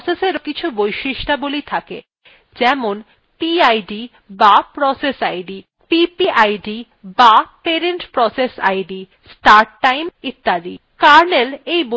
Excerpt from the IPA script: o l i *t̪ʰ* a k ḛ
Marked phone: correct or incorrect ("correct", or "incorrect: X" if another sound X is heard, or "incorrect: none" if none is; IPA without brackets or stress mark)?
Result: correct